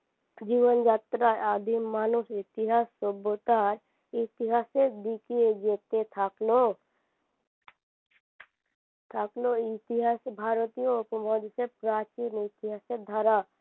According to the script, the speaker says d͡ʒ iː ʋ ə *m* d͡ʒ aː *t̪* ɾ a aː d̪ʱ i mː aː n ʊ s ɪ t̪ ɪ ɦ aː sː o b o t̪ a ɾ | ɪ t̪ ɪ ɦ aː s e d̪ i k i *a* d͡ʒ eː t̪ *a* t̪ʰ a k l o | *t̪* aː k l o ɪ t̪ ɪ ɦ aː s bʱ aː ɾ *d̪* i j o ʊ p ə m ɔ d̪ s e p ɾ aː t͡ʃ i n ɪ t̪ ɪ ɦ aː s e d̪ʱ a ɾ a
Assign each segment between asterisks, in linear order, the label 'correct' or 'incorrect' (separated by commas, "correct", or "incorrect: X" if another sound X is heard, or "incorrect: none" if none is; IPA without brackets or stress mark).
incorrect: n, correct, incorrect: e, incorrect: e, incorrect: t̪ʰ, incorrect: t̪